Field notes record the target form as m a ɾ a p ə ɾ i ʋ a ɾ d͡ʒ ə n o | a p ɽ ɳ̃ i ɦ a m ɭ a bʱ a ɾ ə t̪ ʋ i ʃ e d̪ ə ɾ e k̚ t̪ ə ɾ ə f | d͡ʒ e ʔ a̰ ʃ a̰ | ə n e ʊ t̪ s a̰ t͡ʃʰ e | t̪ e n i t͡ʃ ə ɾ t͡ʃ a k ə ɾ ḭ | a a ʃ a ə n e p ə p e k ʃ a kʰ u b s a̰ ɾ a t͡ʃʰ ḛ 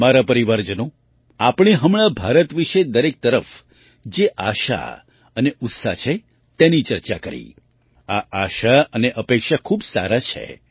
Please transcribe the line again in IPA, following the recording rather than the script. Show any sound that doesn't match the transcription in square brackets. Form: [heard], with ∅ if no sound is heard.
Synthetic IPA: m a ɾ a p ə ɾ i ʋ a ɾ d͡ʒ ə n o | a p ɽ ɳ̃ i ɦ [ə] m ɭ a bʱ a ɾ ə t̪ ʋ i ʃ e d̪ ə ɾ e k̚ t̪ ə ɾ ə f | d͡ʒ e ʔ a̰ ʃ a̰ | ə n e ʊ t̪ s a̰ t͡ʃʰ e | t̪ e n i t͡ʃ ə ɾ t͡ʃ a k ə ɾ ḭ | a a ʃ a ə n e [ʔ] ə p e k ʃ a kʰ u b s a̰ ɾ a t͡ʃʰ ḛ